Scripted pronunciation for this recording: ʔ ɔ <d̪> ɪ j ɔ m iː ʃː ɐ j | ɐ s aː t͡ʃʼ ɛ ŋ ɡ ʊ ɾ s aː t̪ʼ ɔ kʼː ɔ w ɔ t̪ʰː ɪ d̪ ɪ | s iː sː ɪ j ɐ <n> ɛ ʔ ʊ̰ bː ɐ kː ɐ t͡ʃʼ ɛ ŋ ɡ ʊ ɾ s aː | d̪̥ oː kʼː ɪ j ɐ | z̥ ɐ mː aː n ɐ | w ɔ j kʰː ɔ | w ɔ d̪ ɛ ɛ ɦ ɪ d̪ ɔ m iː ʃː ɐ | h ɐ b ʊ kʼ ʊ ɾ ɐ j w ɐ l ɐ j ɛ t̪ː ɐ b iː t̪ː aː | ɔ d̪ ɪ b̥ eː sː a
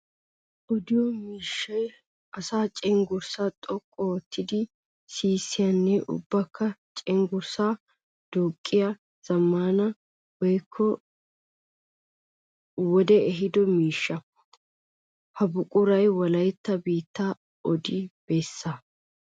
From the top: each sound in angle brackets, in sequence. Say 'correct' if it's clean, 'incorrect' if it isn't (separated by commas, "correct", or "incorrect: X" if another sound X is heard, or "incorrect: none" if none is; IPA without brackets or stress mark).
correct, incorrect: nː